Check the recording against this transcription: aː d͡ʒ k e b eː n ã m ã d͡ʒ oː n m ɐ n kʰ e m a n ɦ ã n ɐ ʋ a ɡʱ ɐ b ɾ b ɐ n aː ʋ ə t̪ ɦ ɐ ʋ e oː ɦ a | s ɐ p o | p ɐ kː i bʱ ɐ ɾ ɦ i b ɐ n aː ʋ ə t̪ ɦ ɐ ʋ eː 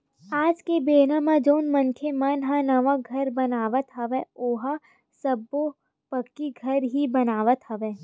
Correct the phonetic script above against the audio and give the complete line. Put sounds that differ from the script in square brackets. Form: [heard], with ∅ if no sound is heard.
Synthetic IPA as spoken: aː d͡ʒ k e b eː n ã m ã d͡ʒ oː n m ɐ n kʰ e m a n ɦ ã n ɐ ʋ a ɡʱ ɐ [∅] ɾ b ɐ n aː ʋ ə t̪ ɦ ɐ ʋ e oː ɦ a | s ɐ [b] o | p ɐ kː i [ɡʱ] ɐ ɾ ɦ i b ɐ n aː ʋ ə t̪ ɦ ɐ ʋ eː